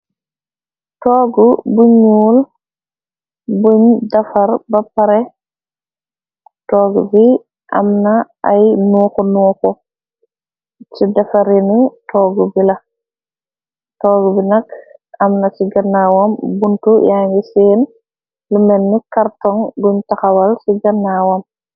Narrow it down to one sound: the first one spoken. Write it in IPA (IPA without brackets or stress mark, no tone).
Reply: t